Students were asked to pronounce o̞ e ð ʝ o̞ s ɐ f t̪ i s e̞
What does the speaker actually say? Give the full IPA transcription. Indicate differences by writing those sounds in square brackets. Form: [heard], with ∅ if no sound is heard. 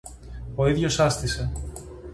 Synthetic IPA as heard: o̞ [i] ð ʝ o̞ s ɐ [s] t̪ i s e̞